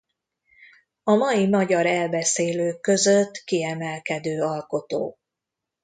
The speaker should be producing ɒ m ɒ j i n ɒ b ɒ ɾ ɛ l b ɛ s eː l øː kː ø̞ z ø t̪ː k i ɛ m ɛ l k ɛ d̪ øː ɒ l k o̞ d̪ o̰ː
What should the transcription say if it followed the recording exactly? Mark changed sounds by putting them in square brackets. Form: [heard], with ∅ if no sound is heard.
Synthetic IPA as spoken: ɒ m ɒ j i [m] ɒ [ɟ] ɒ ɾ ɛ l b ɛ s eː l øː kː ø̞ z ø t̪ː k i ɛ m ɛ l k ɛ d̪ øː ɒ l k o̞ [t̪] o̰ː